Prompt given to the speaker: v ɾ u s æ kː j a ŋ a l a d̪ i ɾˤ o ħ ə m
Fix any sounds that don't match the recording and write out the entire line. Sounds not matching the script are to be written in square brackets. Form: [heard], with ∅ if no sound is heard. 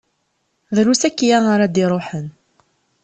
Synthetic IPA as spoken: [ð] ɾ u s æ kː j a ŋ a [ɾ] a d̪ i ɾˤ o ħ ə [n]